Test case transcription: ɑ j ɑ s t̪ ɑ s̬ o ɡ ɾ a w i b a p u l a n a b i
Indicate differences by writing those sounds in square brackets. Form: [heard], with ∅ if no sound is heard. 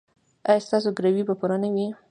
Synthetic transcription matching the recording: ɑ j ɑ s t̪ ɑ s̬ o ɡ ɾ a w i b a p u [ɾ] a n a [w] i